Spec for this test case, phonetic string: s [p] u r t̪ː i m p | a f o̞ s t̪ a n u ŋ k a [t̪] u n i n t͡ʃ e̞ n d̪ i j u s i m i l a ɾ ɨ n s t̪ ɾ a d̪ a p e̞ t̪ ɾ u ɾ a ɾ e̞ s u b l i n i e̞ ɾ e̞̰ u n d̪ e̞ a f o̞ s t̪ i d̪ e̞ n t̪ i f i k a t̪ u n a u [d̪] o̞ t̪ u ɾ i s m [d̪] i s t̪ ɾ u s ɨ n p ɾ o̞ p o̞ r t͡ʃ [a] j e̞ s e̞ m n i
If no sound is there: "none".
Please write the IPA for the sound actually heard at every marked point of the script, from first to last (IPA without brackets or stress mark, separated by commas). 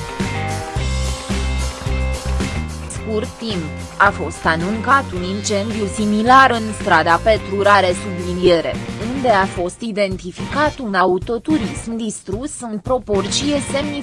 k, t̪, t̪, d̪, i